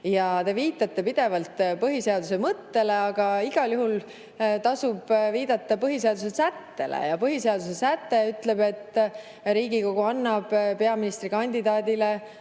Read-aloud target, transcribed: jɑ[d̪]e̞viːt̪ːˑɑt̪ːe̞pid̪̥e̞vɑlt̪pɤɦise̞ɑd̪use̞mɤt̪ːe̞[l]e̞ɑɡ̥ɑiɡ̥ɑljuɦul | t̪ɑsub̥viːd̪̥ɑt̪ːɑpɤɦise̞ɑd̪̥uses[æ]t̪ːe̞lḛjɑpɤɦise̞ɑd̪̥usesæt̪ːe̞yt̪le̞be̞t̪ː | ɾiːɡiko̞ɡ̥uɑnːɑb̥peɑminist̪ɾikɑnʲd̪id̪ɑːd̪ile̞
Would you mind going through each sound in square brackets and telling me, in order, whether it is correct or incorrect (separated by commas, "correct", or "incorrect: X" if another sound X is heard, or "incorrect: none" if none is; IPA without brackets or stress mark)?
incorrect: t̪, correct, correct